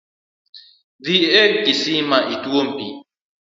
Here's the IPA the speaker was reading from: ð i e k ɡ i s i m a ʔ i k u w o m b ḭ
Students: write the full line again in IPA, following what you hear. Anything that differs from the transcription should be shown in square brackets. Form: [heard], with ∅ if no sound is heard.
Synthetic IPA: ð i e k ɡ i s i m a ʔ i [t] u w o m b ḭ